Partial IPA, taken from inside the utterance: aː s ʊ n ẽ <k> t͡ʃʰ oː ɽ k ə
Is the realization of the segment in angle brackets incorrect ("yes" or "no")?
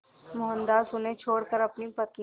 yes